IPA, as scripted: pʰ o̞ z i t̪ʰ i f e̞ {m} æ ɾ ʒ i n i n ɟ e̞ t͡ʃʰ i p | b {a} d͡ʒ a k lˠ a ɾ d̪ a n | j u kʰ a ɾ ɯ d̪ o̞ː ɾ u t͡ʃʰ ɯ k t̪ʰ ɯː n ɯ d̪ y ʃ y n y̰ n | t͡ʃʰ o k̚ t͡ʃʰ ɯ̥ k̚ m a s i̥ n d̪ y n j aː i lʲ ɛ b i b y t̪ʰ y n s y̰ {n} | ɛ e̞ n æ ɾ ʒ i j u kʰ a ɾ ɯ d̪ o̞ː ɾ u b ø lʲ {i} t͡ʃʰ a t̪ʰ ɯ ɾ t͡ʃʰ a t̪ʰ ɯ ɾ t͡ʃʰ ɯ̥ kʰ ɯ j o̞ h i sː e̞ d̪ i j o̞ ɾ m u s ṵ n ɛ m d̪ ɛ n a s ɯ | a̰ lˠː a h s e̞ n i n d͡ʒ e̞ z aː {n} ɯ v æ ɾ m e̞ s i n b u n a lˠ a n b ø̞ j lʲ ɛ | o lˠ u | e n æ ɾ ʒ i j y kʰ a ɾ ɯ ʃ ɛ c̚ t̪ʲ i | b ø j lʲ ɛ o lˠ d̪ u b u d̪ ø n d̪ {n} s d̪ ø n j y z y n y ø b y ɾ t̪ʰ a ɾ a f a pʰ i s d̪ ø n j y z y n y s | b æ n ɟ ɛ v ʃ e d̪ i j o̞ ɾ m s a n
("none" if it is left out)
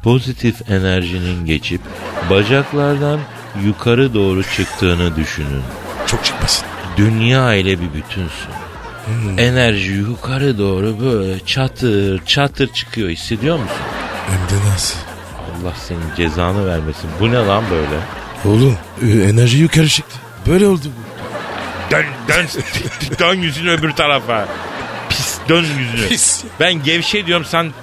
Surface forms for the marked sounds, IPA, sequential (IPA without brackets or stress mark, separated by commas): n, a, n, ɛ, n, n